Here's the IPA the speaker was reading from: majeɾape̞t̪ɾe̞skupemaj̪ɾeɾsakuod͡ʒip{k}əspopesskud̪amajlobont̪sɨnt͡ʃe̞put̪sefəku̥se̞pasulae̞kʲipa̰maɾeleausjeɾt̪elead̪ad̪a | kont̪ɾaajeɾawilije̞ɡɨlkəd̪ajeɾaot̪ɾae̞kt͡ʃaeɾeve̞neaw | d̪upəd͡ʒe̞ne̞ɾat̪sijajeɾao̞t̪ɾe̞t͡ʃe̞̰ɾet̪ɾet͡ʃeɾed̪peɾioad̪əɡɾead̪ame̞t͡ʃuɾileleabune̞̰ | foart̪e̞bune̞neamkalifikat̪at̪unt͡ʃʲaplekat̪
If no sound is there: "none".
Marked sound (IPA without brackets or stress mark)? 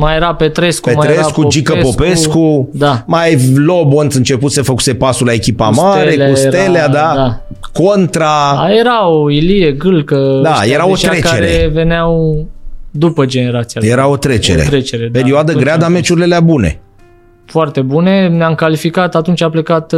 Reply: k